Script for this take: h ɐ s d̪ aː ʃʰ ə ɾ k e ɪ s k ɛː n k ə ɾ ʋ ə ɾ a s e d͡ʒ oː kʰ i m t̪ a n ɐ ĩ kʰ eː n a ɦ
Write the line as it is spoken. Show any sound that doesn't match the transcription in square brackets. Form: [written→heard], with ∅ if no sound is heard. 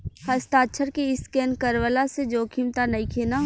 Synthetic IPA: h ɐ s [d̪→t̪] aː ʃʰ ə ɾ k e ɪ s k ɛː n k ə ɾ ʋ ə [ɾ→l] a s e d͡ʒ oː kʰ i m t̪ a n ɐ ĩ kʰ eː n a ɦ